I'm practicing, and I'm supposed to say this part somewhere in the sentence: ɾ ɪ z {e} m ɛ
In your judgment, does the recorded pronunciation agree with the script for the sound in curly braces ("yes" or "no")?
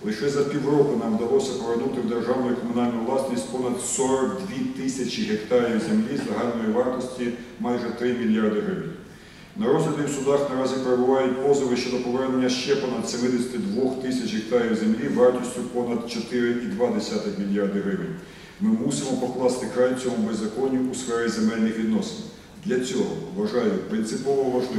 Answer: yes